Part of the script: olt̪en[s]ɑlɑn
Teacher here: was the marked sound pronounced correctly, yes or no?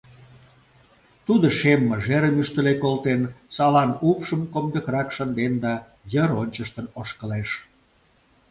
yes